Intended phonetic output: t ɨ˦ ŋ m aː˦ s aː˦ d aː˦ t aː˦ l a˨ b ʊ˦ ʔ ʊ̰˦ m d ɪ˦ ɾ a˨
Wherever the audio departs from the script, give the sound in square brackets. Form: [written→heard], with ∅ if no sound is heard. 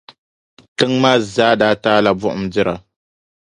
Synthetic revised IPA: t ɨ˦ ŋ m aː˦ [s→z] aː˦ d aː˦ t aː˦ l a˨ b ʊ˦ ʔ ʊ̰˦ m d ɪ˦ ɾ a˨